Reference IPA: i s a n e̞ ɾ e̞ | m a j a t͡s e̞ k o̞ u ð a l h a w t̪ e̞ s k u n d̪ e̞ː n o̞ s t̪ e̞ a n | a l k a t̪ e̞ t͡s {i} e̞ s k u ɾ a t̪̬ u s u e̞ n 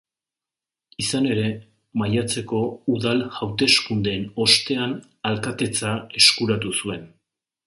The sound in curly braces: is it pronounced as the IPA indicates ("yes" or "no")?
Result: no